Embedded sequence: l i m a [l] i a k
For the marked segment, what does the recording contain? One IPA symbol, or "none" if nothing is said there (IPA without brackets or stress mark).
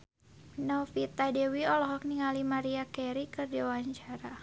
ɾ